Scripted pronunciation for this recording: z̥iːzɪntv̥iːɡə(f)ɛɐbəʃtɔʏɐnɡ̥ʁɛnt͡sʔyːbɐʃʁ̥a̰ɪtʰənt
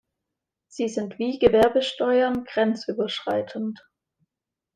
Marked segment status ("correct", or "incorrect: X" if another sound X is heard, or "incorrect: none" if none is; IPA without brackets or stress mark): incorrect: v